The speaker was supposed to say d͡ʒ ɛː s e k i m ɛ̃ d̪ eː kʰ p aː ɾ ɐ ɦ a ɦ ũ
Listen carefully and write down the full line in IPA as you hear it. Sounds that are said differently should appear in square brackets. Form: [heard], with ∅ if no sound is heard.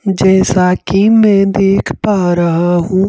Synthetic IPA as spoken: d͡ʒ ɛː s [a] k i m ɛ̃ d̪ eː kʰ p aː ɾ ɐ ɦ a ɦ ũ